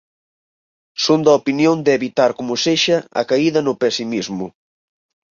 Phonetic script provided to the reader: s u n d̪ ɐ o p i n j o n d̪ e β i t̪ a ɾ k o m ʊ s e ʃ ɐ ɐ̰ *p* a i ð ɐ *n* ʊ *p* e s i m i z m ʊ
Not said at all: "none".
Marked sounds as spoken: k, n, p

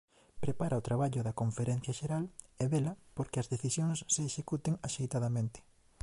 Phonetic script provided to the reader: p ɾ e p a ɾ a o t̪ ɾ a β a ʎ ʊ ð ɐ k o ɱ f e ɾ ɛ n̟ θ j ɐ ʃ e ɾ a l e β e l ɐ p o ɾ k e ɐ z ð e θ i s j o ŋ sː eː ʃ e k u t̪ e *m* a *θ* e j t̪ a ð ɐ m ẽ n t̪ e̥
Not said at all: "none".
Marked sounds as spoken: ŋ, ʃ

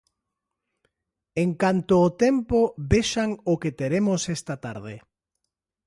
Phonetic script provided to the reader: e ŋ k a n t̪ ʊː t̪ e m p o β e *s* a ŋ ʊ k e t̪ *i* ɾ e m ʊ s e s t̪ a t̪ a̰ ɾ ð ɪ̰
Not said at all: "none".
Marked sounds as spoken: ʃ, e

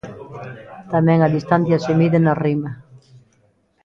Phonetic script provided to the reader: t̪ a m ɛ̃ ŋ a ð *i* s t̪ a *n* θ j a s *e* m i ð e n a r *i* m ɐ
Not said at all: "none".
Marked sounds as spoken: i, n, e, i

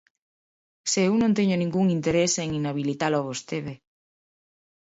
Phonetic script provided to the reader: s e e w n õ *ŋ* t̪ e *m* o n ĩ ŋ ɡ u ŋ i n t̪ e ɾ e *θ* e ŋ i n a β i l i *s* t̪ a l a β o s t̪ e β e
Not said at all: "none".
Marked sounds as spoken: n, ɲ, s, none

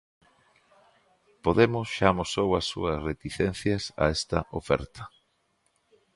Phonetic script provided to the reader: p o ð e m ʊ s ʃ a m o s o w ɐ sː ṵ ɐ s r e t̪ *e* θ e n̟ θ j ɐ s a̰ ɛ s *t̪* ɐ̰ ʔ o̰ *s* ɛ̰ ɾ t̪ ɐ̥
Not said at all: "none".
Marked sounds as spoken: i, t̪, f

